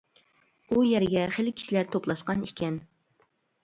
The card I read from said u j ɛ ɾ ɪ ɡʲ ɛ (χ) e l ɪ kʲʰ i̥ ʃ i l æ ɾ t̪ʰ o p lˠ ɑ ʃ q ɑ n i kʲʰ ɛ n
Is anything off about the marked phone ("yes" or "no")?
no